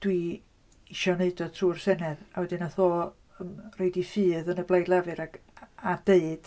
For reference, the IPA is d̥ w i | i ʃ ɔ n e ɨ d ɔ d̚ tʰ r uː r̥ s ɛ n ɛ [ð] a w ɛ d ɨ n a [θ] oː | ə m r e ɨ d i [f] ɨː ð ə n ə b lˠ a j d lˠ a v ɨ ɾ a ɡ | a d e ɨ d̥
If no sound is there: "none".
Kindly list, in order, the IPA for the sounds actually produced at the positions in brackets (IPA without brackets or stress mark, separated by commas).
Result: ð, θ, f